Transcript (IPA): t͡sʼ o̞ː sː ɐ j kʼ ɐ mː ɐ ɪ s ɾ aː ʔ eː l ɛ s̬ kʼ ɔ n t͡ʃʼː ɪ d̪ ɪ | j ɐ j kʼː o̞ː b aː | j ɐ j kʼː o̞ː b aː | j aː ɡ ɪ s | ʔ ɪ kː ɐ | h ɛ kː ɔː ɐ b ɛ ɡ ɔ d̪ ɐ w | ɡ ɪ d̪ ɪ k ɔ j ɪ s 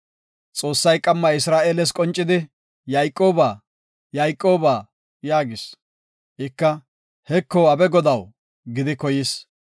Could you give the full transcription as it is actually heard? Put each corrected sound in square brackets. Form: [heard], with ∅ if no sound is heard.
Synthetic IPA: t͡sʼ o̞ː sː ɐ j kʼ ɐ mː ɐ ɪ s ɾ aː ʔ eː l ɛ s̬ kʼ ɔ n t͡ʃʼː ɪ d̪ ɪ | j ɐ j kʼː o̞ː b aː | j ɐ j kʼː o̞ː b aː | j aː ɡ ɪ s | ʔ ɪ kː ɐ | h ɛ kː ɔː ɐ b ɛ ɡ ɔ d̪ ɐ w | ɡ ɪ d̪ ɪ k ɔ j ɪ s